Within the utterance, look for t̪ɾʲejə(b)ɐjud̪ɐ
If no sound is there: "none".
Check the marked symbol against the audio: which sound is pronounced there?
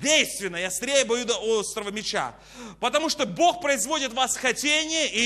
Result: b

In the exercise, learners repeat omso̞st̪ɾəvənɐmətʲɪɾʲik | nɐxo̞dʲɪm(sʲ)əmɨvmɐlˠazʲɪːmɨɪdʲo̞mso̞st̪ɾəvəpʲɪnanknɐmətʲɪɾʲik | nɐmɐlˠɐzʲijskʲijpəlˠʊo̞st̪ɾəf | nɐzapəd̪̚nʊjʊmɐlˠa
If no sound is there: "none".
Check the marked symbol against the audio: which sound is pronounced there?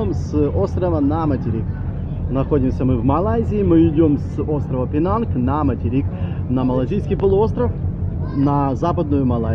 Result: sʲ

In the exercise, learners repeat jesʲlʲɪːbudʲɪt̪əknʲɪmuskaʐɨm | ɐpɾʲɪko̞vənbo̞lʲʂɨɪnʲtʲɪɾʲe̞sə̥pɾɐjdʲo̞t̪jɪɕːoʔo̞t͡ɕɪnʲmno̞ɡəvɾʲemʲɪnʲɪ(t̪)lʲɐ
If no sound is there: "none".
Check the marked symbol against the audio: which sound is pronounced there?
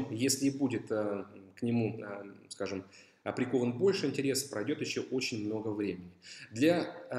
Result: d̪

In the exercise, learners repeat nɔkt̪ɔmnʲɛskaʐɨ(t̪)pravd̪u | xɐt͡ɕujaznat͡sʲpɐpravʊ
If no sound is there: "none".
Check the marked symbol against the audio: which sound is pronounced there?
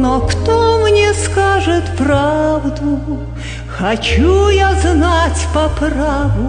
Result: t̪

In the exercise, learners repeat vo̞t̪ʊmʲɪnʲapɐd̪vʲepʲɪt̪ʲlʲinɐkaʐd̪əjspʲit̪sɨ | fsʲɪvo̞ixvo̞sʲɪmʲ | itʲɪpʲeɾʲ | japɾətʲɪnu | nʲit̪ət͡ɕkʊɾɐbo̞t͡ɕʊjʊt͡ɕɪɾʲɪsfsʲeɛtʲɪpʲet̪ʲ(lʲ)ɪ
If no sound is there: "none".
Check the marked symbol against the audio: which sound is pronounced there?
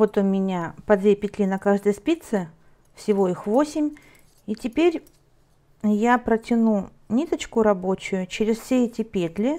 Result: lʲ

